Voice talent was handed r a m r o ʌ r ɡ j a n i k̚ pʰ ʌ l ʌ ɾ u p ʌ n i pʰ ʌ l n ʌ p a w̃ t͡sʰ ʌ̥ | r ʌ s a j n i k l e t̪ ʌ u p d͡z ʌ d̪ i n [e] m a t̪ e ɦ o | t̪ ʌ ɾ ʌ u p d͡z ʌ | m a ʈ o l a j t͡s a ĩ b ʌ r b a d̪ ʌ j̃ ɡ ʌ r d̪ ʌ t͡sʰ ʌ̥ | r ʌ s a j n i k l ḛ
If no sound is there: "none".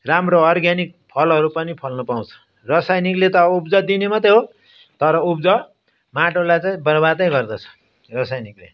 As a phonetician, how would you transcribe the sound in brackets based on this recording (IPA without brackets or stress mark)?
e